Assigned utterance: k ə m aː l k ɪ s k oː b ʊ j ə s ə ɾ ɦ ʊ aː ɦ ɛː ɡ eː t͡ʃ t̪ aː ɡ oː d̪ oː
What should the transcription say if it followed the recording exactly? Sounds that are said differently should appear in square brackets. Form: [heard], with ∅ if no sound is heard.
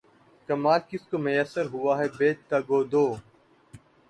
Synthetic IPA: k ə m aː l k ɪ s k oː [m] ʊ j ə s ə ɾ ɦ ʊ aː ɦ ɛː [b] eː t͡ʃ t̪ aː ɡ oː d̪ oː